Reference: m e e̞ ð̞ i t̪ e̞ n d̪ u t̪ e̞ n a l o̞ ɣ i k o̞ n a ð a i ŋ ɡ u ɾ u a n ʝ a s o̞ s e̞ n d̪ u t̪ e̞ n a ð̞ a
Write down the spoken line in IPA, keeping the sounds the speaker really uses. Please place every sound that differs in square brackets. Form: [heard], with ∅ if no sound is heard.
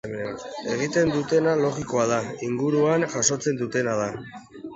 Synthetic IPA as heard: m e e̞ [ɣ̞] i t̪ e̞ n d̪ u t̪ e̞ n a l o̞ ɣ i k o̞ [∅] a ð a i ŋ ɡ u ɾ u a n ʝ a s o̞ [t͡s] e̞ n d̪ u t̪ e̞ n a ð̞ a